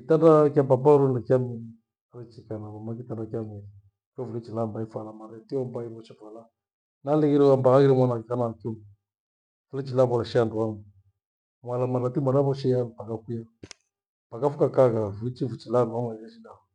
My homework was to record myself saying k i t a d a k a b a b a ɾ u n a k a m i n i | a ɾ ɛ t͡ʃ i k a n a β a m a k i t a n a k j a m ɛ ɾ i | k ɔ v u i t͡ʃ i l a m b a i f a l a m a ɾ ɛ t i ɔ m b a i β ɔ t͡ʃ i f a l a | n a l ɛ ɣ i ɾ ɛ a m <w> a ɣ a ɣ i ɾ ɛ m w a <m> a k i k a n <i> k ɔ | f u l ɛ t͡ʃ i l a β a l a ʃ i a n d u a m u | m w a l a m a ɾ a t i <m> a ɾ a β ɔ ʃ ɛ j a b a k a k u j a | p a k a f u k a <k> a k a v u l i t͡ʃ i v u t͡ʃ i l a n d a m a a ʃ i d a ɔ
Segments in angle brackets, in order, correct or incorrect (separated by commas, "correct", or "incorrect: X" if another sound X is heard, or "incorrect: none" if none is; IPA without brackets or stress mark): incorrect: b, incorrect: n, incorrect: a, correct, correct